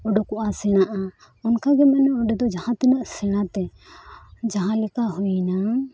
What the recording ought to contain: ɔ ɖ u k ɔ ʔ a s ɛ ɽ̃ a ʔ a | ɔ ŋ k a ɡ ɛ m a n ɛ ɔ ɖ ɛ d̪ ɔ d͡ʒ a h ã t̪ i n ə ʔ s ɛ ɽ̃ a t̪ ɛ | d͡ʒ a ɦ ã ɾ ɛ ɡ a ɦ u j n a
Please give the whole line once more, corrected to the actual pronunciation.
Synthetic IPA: ɔ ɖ ɔ k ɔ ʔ a s ɛ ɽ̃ a ʔ a | ɔ n k a ɡ ɛ m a n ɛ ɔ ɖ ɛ d̪ ɔ d͡ʒ a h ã t̪ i n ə ʔ s ɛ ɽ̃ a t̪ ɛ | d͡ʒ a ɦ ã l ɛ k a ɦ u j n a